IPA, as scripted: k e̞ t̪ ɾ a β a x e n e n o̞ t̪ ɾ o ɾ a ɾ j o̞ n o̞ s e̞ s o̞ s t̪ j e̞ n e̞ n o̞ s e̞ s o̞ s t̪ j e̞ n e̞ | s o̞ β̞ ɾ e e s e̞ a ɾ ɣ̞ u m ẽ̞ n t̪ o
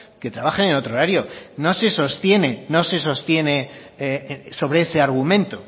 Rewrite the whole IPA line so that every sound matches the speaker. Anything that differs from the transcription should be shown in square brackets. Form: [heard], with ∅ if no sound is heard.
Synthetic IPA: k e̞ t̪ ɾ a β a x e n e n o̞ t̪ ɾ o ɾ a ɾ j o̞ n o̞ s e̞ s o̞ s t̪ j e̞ n e̞ n o̞ s e̞ s o̞ s t̪ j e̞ n e̞ | s o̞ β̞ ɾ e e s e̞ a ɾ ɣ̞ u m ẽ̞ n t̪ o